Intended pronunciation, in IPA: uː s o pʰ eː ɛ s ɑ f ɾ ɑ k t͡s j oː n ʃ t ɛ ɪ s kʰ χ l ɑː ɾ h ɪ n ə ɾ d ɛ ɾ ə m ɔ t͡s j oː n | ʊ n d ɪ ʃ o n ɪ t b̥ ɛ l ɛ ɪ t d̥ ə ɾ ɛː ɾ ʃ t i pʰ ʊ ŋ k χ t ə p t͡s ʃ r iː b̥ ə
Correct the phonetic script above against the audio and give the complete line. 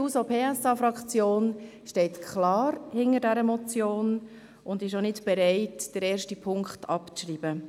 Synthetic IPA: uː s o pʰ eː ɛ s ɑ f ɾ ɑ k t͡s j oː n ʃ t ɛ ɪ t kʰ χ l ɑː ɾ h ɪ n ə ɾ d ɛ ɾ ə m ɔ t͡s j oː n | ʊ n d ɪ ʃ o n ɪ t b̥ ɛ ɾ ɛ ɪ t d̥ ə ɾ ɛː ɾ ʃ t i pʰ ʊ ŋ k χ t ɑ p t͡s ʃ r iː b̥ ə